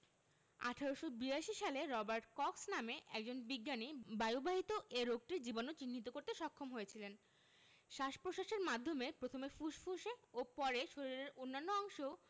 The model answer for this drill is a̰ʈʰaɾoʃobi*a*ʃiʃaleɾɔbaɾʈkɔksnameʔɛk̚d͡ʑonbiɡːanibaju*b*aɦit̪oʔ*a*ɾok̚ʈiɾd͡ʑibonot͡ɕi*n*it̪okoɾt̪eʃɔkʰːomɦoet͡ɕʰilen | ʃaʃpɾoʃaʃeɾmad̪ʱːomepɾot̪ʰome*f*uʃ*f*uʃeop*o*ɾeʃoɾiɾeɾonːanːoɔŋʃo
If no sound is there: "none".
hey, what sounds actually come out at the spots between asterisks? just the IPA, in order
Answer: a, b, e, nː, f, f, ɔ

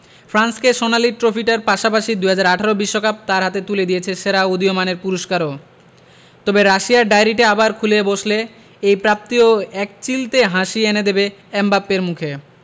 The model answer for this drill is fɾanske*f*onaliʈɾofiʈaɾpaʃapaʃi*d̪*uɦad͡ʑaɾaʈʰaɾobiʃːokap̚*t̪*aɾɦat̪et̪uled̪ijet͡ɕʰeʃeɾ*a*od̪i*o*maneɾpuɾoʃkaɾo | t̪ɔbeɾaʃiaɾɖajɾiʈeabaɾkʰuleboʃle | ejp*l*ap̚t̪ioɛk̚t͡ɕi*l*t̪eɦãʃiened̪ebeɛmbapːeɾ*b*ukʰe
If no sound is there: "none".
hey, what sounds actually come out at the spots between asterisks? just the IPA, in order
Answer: ʃ, d̪, t̪, a, o, ɾ, l, m

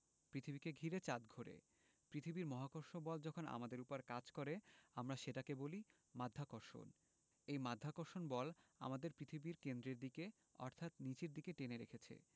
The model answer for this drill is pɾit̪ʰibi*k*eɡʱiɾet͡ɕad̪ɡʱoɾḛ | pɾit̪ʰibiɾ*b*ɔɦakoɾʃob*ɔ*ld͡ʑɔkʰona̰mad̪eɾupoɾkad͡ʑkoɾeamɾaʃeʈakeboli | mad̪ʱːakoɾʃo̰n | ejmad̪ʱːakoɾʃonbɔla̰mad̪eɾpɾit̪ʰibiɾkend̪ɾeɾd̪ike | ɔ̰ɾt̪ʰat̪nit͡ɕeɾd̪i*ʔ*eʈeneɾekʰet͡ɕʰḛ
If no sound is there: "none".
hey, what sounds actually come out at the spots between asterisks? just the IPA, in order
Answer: k, m, ɔ, k

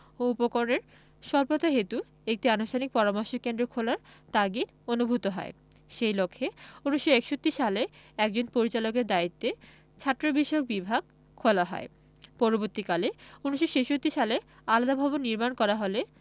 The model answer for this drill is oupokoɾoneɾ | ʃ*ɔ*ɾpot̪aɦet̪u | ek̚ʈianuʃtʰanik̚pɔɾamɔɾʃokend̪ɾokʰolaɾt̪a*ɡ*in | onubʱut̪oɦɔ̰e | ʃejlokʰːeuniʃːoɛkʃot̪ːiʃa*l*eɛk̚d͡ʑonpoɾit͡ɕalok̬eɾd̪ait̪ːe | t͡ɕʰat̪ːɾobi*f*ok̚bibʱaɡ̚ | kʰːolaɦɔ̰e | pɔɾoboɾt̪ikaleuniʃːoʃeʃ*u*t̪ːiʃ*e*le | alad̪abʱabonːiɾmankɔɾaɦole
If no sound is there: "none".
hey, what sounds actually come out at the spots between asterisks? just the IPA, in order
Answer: ɔ, ɡ, l, ʃ, o, a

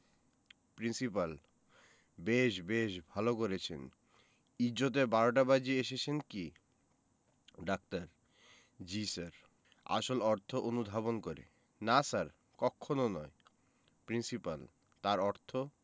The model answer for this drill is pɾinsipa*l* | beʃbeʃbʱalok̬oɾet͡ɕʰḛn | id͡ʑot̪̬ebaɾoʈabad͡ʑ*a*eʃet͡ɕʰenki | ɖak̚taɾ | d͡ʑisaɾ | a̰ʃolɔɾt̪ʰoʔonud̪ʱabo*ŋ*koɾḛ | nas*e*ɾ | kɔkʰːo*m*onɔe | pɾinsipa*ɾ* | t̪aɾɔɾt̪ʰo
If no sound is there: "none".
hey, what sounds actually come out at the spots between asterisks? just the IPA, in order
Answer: l, i, n, a, n, l

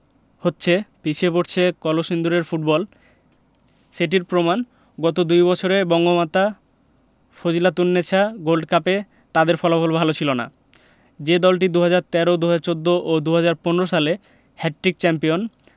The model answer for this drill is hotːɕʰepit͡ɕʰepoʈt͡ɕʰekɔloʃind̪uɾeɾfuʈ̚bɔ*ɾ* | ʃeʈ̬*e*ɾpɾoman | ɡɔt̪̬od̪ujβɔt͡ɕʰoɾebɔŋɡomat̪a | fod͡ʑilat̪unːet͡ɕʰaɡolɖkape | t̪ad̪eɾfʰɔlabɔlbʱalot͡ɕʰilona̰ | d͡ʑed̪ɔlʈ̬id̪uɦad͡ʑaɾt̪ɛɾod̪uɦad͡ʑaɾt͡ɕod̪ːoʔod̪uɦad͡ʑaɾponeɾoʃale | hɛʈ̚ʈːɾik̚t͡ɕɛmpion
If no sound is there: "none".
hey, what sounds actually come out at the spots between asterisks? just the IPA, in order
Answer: l, i

